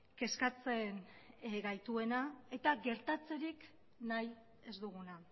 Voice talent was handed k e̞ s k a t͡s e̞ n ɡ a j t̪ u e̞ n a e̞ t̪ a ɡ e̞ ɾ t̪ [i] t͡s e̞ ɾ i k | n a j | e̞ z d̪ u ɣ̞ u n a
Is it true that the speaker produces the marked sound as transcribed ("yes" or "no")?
no